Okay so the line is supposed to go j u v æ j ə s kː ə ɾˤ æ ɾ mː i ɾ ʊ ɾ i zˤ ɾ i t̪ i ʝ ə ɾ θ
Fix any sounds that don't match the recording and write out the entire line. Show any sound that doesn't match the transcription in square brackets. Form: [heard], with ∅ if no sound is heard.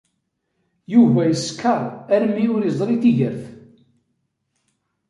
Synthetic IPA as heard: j u v æ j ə s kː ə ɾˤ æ ɾ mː i [∅] ʊ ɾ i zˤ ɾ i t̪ i ʝ ə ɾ θ